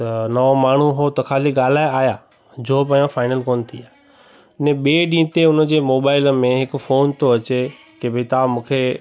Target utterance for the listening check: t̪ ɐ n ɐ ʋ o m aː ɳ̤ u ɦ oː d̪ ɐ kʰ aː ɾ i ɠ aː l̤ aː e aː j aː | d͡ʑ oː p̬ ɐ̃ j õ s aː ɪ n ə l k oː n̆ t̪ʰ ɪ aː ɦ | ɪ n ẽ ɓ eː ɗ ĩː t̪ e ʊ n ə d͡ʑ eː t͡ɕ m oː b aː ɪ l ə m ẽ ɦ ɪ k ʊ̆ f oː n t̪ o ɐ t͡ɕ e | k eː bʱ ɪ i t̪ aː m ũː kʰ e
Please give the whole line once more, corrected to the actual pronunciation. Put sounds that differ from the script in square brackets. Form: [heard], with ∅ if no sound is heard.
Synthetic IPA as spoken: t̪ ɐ n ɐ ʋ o m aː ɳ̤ u ɦ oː [t̪] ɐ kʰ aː [l] i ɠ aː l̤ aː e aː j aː | d͡ʑ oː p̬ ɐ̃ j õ [f] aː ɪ n ə l k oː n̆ t̪ʰ [i] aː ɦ | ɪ n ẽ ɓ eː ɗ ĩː t̪ e ʊ n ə d͡ʑ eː [∅] m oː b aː ɪ l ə m ẽ ɦ ɪ k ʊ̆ f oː n t̪ o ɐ t͡ɕ e | k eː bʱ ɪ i t̪ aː m ũː kʰ e